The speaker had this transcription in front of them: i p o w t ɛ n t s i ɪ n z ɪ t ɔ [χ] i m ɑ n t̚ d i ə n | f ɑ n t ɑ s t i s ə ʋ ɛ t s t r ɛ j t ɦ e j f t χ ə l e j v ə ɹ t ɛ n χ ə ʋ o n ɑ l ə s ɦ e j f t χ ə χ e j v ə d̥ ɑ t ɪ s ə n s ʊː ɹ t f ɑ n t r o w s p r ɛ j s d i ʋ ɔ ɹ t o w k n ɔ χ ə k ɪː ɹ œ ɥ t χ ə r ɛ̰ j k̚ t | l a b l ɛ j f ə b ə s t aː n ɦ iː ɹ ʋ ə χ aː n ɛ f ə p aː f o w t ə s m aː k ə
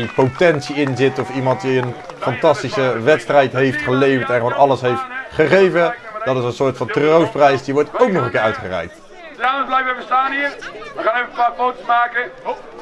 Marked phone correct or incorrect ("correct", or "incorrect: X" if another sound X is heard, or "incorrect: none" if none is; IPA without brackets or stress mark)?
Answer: incorrect: f